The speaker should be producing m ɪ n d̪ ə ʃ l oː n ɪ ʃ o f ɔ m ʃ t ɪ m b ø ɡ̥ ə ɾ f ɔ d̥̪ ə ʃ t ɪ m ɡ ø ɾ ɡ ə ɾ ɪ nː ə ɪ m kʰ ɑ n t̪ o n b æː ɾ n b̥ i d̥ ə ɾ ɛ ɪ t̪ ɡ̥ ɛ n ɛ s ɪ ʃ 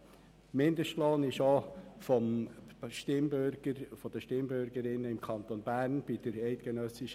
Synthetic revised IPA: m ɪ n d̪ ə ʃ l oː n ɪ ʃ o f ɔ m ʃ t ɪ m b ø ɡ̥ ə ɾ f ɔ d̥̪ ə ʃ t ɪ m b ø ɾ ɡ ə ɾ ɪ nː ə ɪ m kʰ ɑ n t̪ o n b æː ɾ n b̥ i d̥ ə ɾ ɛ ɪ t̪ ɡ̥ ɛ n œ s ɪ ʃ